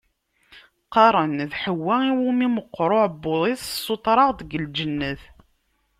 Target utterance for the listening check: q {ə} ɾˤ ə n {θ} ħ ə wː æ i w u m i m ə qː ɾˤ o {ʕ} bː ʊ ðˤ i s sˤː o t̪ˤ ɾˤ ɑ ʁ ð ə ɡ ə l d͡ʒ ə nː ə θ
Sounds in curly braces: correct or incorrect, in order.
incorrect: ɑ, incorrect: ð, correct

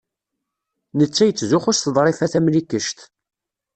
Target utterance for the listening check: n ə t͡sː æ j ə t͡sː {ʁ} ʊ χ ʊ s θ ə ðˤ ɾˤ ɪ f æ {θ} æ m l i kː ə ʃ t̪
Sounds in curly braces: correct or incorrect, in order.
incorrect: z, correct

